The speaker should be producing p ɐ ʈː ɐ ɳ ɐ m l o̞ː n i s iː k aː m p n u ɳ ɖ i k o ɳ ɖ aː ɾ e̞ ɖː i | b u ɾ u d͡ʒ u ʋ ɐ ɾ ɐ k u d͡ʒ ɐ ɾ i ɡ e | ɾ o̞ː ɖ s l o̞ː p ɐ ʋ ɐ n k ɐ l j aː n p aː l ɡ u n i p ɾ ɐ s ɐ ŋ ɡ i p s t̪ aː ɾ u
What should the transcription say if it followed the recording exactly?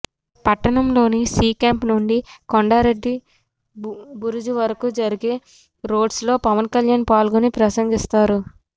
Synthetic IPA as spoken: p ɐ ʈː ɐ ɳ ɐ m l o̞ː n i s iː k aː m p n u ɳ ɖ i k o ɳ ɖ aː ɾ e̞ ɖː i | b u ɾ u d͡ʒ u ʋ ɐ ɾ ɐ k u d͡ʒ ɐ ɾ i ɡ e | ɾ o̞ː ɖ s l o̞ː p ɐ ʋ ɐ n k ɐ l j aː n p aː l ɡ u n i p ɾ ɐ s ɐ ŋ ɡ i s t̪ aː ɾ u